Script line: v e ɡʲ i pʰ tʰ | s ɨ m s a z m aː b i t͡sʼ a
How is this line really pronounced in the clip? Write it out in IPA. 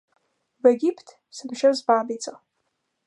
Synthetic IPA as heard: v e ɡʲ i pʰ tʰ | s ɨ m ʃ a z b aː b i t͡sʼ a